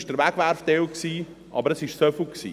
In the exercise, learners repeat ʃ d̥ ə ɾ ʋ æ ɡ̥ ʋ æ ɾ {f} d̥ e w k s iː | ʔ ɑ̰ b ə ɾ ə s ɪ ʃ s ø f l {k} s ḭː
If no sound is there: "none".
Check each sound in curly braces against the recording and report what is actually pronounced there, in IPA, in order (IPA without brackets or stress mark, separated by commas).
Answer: f, k